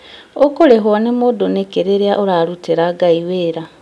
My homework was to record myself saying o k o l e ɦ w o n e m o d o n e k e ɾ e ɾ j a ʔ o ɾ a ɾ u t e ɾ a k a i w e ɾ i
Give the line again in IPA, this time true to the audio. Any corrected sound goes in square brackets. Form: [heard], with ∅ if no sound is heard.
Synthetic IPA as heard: o k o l e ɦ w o n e m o d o n e k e ɾ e ɾ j a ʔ o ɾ a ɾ u t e ɾ a [ɡ] a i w e ɾ [a]